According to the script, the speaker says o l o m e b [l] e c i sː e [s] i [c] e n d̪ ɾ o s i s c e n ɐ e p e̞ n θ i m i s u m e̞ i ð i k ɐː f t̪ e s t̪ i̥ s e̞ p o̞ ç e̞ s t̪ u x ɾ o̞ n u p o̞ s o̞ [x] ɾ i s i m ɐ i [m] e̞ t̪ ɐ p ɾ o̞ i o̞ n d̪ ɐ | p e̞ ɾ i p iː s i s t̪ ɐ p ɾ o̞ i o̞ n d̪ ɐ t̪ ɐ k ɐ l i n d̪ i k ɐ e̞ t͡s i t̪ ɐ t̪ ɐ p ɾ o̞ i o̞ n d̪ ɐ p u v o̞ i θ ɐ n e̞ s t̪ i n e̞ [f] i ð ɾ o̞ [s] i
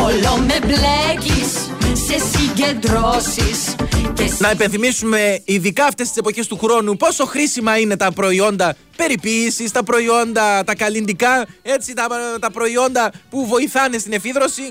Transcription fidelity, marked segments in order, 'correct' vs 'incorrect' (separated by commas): correct, correct, incorrect, correct, incorrect, correct, correct